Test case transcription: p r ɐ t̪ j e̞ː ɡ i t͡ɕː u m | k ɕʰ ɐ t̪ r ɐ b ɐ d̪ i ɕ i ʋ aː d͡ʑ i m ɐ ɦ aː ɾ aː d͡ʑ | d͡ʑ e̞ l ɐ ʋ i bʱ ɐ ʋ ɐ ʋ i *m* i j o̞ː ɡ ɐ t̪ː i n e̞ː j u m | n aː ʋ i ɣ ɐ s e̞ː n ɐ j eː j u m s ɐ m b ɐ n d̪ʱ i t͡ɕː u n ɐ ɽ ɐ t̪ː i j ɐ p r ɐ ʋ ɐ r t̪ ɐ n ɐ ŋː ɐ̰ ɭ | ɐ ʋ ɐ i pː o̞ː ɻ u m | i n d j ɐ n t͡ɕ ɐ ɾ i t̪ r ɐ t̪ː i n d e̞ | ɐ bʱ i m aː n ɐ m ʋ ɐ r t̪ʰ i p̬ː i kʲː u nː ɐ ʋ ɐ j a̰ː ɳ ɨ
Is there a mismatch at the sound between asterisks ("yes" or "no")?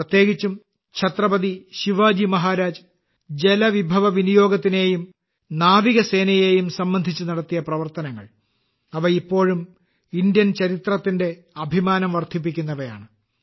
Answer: yes